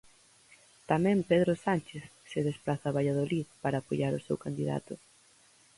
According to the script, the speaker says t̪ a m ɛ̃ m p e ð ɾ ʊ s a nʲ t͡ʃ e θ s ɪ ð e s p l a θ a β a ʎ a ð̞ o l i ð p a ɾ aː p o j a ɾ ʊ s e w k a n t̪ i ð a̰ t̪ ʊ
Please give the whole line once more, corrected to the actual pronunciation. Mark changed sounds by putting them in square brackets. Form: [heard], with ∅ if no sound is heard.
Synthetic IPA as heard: t̪ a m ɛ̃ m p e ð ɾ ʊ s a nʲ t͡ʃ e θ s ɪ ð e s p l a θ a β a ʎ a ð̞ o l i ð p a ɾ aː p o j a ɾ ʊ s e w k a n [d̪] i ð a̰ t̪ ʊ